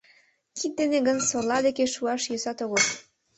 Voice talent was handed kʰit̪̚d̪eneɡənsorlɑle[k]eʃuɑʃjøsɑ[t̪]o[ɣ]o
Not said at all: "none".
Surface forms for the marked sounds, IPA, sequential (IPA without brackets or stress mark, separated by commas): k, t̪, ɣ